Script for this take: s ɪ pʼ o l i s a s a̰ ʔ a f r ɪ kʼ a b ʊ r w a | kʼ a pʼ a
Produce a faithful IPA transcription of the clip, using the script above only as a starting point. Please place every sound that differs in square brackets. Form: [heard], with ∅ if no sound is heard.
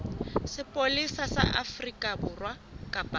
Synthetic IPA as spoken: s ɪ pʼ o l i s a s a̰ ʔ a f r [i] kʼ a b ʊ r w a | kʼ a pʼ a